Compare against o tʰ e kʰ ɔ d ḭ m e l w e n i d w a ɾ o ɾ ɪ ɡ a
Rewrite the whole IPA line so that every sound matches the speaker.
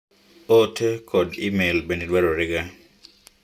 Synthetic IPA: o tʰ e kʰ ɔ d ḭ m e l b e n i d w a ɾ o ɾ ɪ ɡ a